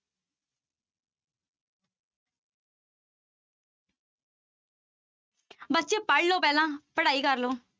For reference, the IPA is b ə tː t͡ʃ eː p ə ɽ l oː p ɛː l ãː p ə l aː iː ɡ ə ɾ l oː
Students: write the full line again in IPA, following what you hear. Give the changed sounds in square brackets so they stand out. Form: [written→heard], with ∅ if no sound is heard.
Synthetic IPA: b ə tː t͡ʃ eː p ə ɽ l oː p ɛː l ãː p ə [l→ɽ] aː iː [ɡ→k] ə ɾ l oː